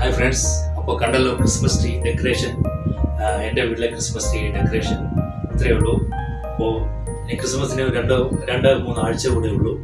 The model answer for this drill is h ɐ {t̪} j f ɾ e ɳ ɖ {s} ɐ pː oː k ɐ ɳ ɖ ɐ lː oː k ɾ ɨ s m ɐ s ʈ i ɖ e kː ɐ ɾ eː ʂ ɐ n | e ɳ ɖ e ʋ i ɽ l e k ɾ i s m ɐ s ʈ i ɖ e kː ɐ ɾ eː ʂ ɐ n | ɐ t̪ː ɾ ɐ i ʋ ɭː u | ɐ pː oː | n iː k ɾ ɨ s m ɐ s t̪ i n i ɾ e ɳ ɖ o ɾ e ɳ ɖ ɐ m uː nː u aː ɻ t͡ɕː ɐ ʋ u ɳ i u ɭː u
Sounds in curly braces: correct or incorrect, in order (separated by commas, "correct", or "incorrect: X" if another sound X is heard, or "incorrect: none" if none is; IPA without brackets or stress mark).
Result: incorrect: none, correct